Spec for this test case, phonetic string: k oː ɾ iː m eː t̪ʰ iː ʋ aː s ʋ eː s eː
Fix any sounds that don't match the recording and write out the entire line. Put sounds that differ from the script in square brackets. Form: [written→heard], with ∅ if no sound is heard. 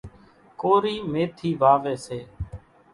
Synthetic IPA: k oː ɾ iː m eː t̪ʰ iː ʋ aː [s→∅] ʋ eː s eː